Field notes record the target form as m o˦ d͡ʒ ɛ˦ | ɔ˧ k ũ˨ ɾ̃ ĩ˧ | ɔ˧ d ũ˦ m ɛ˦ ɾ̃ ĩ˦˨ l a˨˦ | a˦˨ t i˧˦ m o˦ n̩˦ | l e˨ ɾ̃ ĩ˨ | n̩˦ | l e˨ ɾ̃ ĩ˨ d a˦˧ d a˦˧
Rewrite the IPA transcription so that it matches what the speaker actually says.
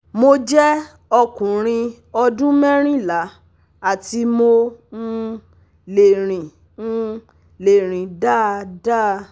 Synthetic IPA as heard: m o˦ d͡ʒ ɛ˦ | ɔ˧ k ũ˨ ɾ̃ ĩ˧ | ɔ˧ d ũ˦ m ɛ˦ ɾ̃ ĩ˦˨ l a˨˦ | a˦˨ t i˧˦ m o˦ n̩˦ | l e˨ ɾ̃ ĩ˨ | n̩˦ | l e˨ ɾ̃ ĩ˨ d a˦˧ d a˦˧